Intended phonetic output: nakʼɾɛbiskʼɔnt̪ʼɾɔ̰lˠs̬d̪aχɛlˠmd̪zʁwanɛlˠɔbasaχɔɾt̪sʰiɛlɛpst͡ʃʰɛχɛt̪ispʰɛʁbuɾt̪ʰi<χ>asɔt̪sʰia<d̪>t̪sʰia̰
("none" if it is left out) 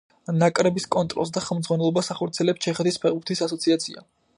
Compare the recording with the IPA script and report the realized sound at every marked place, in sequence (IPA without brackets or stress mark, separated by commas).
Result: s, none